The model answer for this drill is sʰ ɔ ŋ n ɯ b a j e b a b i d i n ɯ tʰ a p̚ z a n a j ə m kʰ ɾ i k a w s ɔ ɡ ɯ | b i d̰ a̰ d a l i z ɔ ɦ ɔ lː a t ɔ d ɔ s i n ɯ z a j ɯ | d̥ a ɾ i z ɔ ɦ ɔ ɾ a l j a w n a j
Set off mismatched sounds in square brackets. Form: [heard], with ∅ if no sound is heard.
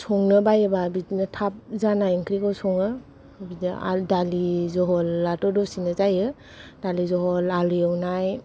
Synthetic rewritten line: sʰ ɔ ŋ n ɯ b a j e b a b i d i n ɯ tʰ a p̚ z a n a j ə [ŋ] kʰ ɾ i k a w s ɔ [ŋ] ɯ | b i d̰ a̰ d a l i z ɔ ɦ ɔ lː a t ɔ d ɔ s i n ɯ z a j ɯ | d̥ a [l] i z ɔ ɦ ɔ [l] a l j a w n a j